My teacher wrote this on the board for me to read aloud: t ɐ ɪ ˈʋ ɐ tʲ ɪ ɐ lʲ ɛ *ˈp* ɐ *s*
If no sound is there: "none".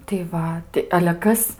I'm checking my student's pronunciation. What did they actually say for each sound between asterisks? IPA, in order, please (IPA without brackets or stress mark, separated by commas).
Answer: k, s